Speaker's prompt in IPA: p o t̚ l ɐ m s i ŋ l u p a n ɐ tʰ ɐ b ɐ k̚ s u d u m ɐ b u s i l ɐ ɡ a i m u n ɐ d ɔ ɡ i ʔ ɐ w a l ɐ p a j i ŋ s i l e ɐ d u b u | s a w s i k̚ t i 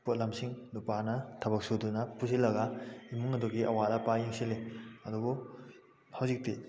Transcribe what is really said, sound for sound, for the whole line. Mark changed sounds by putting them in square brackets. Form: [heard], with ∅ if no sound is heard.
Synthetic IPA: p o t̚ l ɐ m s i ŋ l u p a n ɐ tʰ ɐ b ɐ k̚ s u d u [n] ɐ [p] u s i l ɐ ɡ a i m u [ŋ] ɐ d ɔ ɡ i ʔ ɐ w a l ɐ p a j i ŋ s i l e ɐ d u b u | [h] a w [z] i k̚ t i